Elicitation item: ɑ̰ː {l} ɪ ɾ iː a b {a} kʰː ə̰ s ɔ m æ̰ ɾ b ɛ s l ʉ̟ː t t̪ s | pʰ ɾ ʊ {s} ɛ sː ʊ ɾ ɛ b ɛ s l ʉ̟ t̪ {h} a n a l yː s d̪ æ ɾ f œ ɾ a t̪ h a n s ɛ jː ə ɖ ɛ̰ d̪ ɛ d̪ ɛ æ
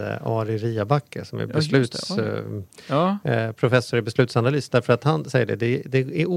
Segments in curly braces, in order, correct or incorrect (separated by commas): incorrect, correct, incorrect, incorrect